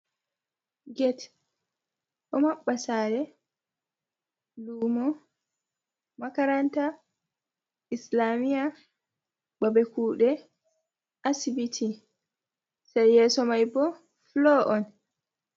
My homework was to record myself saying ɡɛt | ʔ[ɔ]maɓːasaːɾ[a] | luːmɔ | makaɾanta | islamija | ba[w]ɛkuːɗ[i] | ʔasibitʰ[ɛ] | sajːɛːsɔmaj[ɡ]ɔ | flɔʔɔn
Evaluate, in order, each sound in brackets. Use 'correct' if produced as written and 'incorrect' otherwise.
correct, incorrect, incorrect, incorrect, incorrect, incorrect

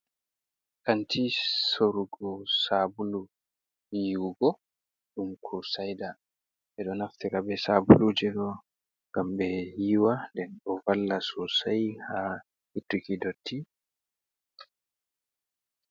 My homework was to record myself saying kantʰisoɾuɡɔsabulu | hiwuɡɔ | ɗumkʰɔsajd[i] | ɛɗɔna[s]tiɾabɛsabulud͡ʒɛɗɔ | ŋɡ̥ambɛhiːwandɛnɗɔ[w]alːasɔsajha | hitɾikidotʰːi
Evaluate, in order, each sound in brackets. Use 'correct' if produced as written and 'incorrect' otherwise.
incorrect, incorrect, incorrect

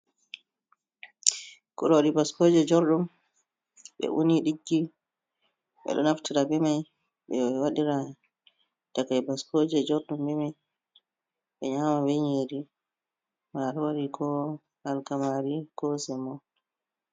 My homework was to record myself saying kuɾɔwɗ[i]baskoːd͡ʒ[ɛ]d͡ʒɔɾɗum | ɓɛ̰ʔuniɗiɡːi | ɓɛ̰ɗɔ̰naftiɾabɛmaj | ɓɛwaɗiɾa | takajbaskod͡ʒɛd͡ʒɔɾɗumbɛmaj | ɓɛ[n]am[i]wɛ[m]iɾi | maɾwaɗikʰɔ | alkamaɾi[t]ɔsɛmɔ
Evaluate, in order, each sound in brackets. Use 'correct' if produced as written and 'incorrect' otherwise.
correct, correct, incorrect, incorrect, incorrect, incorrect

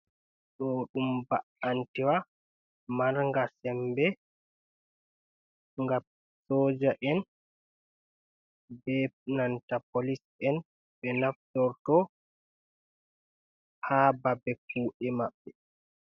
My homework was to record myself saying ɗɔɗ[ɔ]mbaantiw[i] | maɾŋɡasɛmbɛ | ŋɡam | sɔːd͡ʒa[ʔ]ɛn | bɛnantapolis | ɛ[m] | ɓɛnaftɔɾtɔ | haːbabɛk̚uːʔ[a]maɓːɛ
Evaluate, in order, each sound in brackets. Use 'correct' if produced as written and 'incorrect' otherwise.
incorrect, incorrect, correct, incorrect, incorrect

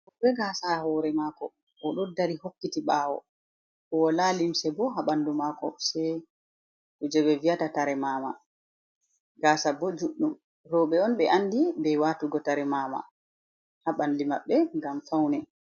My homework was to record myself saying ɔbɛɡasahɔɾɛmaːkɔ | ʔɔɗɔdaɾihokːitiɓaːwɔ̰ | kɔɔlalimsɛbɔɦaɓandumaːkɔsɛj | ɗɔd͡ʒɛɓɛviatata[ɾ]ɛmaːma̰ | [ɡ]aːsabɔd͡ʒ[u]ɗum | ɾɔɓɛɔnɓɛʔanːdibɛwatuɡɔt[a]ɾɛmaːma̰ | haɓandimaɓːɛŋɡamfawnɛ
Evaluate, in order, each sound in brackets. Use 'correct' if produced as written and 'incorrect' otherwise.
correct, correct, correct, correct

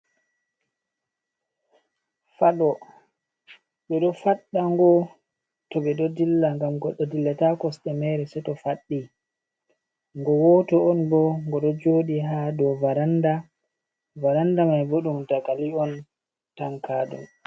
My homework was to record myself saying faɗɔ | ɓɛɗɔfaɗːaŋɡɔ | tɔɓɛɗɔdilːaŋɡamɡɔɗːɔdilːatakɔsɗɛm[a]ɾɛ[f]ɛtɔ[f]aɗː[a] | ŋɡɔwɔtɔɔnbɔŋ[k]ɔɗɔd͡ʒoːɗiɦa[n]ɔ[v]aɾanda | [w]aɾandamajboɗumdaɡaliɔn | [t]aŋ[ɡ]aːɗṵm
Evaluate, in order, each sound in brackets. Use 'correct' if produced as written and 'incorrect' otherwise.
incorrect, incorrect, correct, incorrect, incorrect, incorrect, correct, incorrect, correct, incorrect

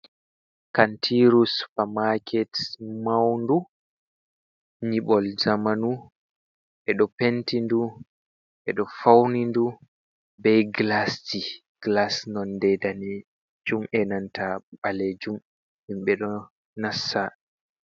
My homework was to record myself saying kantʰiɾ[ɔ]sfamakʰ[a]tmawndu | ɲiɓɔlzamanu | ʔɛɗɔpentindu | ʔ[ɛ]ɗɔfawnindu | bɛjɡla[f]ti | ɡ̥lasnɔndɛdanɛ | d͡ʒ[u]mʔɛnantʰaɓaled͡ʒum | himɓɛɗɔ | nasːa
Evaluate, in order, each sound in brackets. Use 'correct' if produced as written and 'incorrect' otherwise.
incorrect, incorrect, correct, incorrect, correct

